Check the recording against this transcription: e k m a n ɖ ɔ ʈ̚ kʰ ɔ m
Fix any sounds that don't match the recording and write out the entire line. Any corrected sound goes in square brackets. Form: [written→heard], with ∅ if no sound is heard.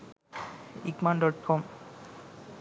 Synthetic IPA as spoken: [e→i] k m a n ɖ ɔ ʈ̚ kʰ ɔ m